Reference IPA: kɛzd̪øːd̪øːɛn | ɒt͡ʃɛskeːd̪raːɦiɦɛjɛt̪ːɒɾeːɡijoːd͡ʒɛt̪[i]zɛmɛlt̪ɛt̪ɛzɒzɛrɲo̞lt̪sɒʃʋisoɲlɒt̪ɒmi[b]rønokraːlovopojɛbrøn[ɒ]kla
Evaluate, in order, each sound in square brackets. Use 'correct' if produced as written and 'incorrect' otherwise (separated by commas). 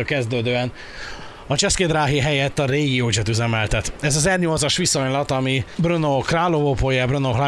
incorrect, correct, incorrect